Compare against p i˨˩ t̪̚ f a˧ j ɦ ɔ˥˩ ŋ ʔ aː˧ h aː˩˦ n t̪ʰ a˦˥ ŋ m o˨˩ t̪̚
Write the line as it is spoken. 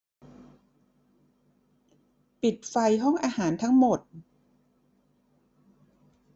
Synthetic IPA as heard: p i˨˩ t̪̚ f a˧ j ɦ ɔ˥˩ ŋ ʔ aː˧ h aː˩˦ n t̪ʰ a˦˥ ŋ m o˨˩ t̪̚